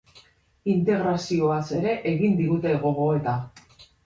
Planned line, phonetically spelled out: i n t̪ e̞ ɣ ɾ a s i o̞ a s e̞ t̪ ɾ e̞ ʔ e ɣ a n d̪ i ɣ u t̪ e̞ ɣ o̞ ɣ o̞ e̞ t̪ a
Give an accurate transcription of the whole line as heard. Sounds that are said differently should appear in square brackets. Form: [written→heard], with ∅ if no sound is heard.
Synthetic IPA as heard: i n t̪ e̞ ɣ ɾ a s i o̞ a s e̞ [t̪→∅] ɾ e̞ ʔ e ɣ [a→i] n d̪ i ɣ u t̪ e̞ ɣ o̞ ɣ o̞ e̞ t̪ a